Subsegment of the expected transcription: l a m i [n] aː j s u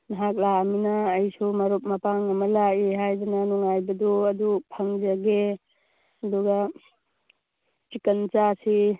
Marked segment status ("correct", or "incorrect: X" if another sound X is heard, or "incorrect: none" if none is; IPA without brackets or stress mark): correct